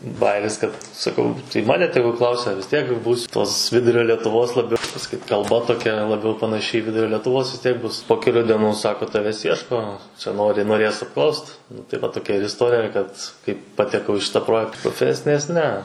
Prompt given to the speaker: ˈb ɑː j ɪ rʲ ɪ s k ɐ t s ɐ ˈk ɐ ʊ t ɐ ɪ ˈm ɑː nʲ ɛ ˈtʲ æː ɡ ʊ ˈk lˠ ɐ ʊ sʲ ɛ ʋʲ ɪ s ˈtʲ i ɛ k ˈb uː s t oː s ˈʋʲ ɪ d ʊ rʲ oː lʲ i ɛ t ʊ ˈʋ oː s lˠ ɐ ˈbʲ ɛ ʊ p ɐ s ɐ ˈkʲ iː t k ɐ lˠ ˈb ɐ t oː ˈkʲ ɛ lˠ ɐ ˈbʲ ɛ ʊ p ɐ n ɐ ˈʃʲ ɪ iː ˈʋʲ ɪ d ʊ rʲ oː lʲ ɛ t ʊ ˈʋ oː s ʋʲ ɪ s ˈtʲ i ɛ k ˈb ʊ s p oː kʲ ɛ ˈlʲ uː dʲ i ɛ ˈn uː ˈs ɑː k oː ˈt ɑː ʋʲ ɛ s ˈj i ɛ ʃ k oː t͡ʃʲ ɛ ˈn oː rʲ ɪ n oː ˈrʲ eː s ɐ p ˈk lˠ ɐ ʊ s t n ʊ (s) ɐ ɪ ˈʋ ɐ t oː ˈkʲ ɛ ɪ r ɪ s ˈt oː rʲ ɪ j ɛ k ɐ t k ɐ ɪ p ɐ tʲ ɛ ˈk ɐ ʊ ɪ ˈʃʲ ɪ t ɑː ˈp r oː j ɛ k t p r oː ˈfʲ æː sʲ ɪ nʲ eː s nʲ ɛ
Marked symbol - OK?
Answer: no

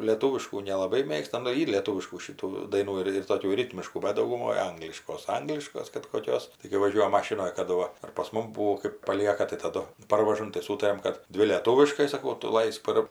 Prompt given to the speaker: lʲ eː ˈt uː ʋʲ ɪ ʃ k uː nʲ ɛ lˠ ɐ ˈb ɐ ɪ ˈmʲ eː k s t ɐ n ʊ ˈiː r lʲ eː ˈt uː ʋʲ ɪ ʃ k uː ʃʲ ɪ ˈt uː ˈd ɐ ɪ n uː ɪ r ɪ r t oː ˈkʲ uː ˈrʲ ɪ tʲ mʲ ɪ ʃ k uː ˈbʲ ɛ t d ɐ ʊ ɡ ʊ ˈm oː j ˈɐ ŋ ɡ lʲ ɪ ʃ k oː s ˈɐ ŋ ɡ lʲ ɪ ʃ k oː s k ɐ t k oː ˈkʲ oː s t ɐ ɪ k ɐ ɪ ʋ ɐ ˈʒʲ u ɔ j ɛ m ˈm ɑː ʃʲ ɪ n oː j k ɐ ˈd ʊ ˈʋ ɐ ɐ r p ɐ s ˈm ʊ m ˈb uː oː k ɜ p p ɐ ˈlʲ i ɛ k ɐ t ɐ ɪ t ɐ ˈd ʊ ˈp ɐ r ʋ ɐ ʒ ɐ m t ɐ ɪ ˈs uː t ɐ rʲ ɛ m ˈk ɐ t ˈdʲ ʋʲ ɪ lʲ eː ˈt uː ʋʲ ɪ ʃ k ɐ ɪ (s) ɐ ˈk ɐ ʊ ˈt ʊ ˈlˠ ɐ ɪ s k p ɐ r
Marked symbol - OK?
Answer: yes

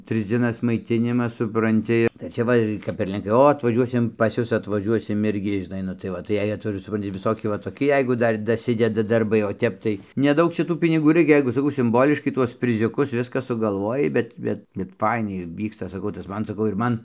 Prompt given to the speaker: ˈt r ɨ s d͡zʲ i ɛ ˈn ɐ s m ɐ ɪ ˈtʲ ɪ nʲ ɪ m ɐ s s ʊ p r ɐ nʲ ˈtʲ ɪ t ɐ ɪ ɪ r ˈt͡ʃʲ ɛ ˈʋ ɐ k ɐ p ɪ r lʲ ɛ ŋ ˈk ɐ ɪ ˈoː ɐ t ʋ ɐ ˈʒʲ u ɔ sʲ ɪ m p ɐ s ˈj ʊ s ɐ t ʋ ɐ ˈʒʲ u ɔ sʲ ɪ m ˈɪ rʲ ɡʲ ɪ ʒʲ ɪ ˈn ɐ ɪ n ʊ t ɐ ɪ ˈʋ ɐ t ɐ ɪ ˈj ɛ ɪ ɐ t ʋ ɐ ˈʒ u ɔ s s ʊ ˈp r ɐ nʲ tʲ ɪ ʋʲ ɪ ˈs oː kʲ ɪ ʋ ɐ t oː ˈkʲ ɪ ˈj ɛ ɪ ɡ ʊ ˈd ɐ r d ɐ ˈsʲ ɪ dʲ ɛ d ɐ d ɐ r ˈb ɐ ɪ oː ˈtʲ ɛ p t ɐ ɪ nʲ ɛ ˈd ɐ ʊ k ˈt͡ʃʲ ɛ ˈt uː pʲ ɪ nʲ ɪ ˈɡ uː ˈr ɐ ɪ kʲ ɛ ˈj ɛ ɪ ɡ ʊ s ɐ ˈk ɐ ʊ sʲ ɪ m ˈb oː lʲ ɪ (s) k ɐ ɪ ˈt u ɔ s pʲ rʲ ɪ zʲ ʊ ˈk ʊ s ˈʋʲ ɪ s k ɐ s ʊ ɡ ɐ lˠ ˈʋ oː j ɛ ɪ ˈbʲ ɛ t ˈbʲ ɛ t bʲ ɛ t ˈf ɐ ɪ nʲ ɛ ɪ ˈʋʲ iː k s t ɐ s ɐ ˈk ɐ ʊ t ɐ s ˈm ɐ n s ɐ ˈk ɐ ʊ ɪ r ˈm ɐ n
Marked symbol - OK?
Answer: no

